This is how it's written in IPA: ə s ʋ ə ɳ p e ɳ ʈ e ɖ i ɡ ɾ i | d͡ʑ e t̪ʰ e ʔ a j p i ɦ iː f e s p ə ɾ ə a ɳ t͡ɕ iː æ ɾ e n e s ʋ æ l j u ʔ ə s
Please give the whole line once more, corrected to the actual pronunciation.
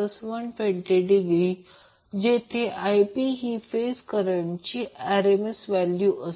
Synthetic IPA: ə s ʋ ə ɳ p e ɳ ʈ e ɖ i ɡ ɾ i | d͡ʑ e t̪ʰ e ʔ a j p i ɦ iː f e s k ə ɾ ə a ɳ t͡ɕ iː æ ɾ e m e s ʋ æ l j u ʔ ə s